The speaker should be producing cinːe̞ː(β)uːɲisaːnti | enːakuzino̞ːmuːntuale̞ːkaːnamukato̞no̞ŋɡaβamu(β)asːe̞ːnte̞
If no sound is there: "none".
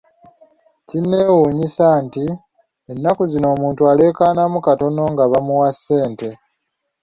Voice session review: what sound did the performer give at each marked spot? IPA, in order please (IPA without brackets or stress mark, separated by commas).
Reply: w, w